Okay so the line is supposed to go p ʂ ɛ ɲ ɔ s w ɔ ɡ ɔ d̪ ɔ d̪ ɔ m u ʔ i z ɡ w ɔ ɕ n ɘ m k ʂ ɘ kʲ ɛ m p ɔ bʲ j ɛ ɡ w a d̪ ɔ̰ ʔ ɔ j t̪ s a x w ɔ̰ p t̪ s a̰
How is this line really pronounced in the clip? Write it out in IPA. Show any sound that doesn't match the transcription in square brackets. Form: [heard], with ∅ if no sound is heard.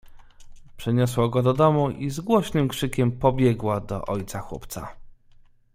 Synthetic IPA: p ʂ ɛ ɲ ɔ s w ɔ ɡ ɔ d̪ ɔ d̪ ɔ m u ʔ i z ɡ w ɔ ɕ n ɘ m k ʂ ɘ kʲ ɛ m p ɔ bʲ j ɛ ɡ w a d̪ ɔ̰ ʔ ɔ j t̪ s a x w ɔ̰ p t̪ s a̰